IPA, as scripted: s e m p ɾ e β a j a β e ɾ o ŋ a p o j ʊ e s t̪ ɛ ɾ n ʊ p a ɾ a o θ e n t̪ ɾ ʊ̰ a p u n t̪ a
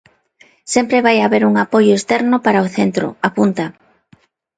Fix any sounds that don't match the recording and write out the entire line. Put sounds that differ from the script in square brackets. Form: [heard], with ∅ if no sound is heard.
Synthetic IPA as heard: s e m p ɾ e β a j a β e ɾ [u] ŋ a p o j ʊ e s t̪ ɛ ɾ n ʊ p a ɾ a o θ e n t̪ ɾ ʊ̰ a p u n t̪ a